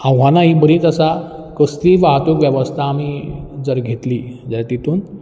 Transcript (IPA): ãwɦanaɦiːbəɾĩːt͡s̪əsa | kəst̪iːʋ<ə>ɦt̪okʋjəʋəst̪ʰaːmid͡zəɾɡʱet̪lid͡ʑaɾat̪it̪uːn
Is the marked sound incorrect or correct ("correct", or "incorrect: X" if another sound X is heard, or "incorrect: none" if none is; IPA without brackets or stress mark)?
incorrect: a